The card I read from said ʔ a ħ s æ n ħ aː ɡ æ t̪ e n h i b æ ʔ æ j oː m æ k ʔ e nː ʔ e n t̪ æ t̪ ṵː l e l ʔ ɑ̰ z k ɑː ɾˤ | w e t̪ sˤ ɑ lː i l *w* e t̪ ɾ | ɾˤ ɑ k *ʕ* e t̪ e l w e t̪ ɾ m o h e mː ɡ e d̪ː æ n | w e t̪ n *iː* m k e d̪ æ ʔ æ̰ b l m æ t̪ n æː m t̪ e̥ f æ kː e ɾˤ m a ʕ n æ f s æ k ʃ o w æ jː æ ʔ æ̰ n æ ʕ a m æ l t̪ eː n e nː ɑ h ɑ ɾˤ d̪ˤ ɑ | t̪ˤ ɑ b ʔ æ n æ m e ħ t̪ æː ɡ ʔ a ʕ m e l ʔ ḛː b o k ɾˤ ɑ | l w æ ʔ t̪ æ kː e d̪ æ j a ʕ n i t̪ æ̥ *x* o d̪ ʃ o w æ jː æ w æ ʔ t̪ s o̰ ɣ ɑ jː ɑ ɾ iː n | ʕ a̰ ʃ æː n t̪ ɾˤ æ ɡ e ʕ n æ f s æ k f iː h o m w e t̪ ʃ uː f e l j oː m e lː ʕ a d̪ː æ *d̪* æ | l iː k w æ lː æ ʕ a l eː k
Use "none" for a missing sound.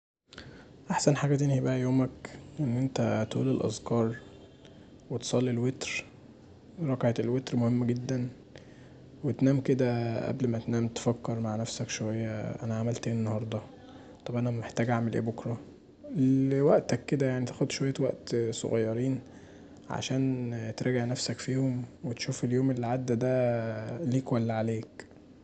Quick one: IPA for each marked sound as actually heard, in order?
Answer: w, ʕ, æː, x, d̪

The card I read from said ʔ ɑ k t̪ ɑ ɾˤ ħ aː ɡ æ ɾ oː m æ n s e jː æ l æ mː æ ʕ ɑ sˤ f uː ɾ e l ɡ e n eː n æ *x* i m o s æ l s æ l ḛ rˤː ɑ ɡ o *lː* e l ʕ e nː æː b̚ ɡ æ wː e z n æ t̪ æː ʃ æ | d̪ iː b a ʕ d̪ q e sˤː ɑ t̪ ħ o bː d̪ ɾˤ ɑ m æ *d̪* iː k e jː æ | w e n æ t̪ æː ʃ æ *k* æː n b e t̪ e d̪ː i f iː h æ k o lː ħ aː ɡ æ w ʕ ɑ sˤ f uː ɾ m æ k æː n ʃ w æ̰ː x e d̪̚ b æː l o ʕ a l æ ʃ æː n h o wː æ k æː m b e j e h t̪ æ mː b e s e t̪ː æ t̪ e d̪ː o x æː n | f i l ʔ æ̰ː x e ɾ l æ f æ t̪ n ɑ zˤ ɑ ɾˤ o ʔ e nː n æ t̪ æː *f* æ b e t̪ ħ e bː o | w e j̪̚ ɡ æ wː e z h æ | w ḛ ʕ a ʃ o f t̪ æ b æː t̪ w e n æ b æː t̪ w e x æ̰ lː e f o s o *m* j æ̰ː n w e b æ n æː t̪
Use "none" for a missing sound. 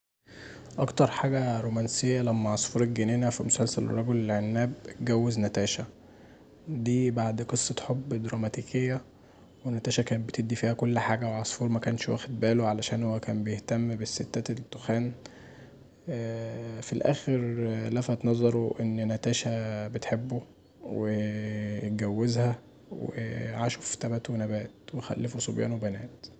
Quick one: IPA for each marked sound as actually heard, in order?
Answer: f, l, t̪, k, ʃ, b

